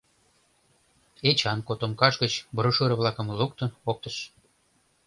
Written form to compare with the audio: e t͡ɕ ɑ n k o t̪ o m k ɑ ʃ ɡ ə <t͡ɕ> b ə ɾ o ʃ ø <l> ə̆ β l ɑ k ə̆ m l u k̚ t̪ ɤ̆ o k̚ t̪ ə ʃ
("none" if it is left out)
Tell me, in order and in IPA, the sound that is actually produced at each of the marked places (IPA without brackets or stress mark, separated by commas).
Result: t͡ɕ, ɾ